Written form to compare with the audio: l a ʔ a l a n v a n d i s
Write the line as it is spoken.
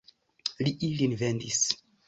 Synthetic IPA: l i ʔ i l i n v e n d i s